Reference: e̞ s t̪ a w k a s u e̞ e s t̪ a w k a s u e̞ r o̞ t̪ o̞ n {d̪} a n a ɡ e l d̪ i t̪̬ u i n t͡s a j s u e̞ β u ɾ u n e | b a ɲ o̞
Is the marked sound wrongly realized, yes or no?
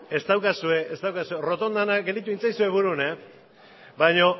no